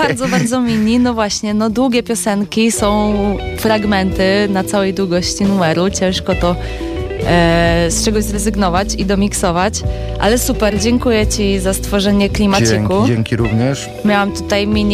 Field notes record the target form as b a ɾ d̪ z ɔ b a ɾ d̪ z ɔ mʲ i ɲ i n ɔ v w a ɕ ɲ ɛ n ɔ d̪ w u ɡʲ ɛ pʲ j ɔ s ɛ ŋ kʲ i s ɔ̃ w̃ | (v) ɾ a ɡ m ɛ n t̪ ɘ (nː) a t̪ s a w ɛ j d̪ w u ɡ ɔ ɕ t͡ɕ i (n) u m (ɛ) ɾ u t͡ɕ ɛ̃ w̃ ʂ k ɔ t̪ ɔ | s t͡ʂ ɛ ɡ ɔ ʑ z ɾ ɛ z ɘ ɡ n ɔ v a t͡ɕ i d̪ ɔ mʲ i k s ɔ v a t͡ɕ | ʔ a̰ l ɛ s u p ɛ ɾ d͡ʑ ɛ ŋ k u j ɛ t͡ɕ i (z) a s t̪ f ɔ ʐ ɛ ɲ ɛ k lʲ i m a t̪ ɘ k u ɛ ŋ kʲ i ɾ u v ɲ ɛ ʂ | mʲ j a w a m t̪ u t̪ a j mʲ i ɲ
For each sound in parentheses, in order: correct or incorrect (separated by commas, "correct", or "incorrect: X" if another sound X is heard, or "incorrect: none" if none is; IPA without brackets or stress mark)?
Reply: incorrect: f, incorrect: n, correct, correct, correct